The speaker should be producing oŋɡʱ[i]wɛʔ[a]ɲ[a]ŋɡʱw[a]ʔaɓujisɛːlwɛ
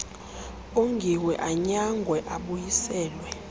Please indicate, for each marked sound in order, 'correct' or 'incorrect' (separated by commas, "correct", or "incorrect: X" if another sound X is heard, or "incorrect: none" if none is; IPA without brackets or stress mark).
correct, correct, correct, incorrect: ɛ